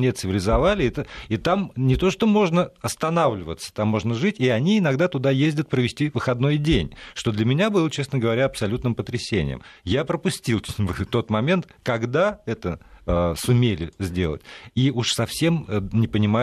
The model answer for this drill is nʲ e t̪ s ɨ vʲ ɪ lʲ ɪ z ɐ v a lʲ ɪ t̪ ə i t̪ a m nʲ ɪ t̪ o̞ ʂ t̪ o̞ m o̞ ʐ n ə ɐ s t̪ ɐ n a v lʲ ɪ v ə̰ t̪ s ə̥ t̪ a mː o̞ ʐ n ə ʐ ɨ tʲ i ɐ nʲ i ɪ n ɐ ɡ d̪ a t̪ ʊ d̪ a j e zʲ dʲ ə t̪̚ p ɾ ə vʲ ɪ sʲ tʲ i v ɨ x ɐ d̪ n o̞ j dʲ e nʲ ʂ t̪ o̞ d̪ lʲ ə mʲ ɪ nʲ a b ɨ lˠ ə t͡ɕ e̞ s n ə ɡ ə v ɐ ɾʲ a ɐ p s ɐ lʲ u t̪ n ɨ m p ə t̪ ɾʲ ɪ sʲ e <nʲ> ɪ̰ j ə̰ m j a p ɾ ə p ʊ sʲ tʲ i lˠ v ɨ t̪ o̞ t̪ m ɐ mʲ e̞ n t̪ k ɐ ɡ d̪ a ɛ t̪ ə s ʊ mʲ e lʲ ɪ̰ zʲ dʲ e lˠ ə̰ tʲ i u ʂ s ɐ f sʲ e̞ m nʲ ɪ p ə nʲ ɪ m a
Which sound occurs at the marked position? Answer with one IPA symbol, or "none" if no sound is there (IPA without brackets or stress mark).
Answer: nʲ